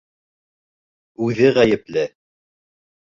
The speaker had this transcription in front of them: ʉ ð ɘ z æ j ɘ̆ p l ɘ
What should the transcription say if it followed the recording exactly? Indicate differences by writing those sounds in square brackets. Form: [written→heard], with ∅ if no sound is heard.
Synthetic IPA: ʉ ð ɘ [z→ʁ] æ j ɘ̆ p l ɘ

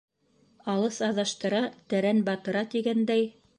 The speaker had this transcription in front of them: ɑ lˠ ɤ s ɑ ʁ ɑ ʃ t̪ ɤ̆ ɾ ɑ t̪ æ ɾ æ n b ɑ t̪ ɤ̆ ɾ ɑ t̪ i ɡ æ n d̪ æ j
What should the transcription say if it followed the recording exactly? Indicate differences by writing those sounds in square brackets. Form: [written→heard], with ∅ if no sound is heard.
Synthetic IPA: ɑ lˠ ɤ s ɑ [ʁ→ð] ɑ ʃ t̪ ɤ̆ ɾ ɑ t̪ æ ɾ æ n b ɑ t̪ ɤ̆ ɾ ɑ t̪ i ɡ æ n d̪ æ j

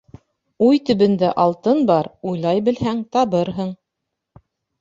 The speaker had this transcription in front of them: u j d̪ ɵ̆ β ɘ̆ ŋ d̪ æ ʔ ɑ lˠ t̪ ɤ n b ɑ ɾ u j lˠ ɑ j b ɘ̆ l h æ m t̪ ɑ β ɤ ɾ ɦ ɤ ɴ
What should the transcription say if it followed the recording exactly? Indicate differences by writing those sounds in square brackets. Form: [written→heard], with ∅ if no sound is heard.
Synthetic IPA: u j [d̪→t̪] ɵ̆ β ɘ̆ [ŋ→n] d̪ æ ʔ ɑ lˠ t̪ ɤ n b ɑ ɾ u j lˠ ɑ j b ɘ̆ l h æ [m→ŋ] t̪ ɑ β ɤ ɾ ɦ ɤ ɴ

